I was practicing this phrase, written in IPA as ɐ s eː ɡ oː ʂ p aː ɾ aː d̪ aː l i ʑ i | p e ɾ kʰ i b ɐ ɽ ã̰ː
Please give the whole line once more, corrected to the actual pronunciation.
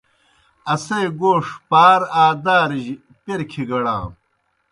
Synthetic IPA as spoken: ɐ s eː ɡ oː ʂ p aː ɾ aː d̪ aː ɾ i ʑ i | p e ɾ kʰ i ɡ ɐ ɽ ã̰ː

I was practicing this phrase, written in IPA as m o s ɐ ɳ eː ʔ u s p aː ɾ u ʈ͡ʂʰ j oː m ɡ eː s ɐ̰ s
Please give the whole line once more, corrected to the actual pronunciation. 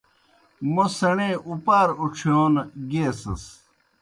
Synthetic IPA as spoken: m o s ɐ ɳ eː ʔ u p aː ɾ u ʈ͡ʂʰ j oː n ɡ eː s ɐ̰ s

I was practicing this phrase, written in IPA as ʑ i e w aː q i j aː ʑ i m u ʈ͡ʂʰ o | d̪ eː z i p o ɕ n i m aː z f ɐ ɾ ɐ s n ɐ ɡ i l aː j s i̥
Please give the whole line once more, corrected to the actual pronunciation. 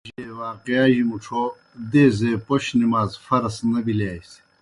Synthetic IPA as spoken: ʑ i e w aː q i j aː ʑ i m u ʈ͡ʂʰ o | d̪ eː z e p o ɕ n i m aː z f ɐ ɾ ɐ s n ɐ b i l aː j s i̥

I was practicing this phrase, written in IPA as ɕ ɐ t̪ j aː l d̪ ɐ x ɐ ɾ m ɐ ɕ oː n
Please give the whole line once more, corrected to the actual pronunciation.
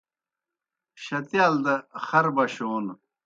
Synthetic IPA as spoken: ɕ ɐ t̪ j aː l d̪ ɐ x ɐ ɾ b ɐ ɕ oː n

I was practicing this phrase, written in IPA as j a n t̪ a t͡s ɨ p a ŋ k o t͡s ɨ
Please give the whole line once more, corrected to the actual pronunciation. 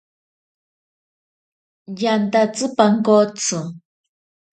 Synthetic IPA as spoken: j a n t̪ a t͡s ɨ p a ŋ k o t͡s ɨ

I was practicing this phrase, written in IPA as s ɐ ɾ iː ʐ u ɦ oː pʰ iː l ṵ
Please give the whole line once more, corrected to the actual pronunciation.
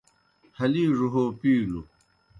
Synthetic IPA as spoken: h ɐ l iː ʐ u ɦ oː p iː l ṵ

